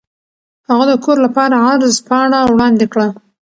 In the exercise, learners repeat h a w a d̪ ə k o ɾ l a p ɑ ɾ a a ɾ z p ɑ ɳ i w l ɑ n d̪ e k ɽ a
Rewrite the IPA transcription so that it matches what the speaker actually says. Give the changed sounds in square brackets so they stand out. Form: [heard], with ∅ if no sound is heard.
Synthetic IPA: h a [ɣ] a d̪ ə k o ɾ l a p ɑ ɾ a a ɾ z p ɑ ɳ [a] w [ɽ] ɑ n d̪ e k ɽ a